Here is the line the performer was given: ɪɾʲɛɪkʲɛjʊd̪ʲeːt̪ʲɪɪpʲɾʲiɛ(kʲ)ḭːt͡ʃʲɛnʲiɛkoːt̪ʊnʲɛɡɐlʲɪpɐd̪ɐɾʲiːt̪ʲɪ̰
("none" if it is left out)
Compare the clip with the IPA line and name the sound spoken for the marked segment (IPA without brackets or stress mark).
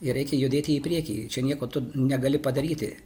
kʲ